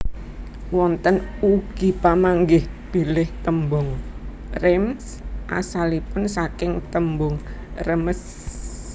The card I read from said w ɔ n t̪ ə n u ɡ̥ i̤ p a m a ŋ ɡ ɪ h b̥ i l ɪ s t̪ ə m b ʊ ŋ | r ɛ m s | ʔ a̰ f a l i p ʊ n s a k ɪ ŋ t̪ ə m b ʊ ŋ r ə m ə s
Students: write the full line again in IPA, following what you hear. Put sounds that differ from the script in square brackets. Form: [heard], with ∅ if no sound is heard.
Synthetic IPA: w ɔ n t̪ ə n u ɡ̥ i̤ p a m a ŋ ɡ ɪ h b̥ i l ɪ [h] t̪ ə m b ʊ ŋ | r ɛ m s | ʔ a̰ [s] a l i p ʊ n s a k ɪ ŋ t̪ ə m b ʊ ŋ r ə m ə s